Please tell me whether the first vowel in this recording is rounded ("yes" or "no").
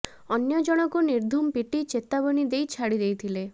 yes